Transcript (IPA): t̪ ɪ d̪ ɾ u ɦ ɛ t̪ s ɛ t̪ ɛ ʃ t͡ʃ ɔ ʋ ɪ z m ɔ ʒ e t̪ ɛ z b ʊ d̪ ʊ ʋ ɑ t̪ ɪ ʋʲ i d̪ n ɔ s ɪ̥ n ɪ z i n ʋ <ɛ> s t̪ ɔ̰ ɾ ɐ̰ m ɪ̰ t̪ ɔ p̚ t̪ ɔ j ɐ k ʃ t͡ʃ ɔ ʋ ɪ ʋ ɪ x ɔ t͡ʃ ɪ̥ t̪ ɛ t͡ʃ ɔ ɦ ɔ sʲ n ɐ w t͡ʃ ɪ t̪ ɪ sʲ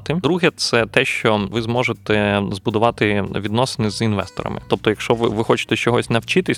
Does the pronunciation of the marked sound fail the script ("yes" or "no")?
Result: no